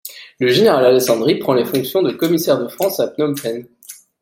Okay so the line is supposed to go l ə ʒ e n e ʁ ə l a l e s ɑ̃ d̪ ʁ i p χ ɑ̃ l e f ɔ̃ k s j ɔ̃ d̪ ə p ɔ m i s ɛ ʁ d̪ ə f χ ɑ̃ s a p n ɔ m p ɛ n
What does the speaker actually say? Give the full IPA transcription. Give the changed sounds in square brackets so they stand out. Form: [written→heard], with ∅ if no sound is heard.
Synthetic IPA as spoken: l ə ʒ e n e ʁ [ə→a] l a l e s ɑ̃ d̪ ʁ i p χ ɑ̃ l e f ɔ̃ k s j ɔ̃ d̪ ə [p→k] ɔ m i s ɛ ʁ d̪ ə f χ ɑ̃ s a p n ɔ m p ɛ n